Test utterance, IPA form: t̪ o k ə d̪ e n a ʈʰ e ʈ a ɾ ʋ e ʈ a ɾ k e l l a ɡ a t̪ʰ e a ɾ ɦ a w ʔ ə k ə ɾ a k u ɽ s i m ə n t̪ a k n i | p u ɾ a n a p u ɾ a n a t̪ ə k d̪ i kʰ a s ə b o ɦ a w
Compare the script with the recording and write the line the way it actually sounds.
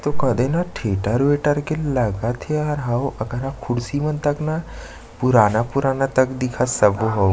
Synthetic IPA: t̪ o k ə d̪ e n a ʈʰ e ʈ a ɾ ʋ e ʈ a ɾ k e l l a ɡ a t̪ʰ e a ɾ ɦ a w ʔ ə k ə ɾ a kʰ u ɽ s i m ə n t̪ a k n a | p u ɾ a n a p u ɾ a n a t̪ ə k d̪ i kʰ a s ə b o ɦ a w